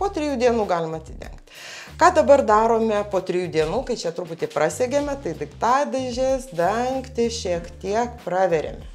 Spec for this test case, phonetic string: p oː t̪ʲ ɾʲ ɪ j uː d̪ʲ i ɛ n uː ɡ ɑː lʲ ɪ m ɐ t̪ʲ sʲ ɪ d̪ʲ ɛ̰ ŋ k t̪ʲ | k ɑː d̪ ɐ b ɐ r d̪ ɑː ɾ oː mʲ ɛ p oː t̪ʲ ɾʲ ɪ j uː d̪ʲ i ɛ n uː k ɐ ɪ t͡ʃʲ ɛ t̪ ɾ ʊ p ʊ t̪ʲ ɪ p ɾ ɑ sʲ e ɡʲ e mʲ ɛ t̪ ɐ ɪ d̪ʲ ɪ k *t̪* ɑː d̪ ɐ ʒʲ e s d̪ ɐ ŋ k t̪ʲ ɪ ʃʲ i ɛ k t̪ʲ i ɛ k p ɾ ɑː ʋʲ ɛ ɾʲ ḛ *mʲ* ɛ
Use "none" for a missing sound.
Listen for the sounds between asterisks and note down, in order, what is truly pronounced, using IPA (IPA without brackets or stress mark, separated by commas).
t̪, mʲ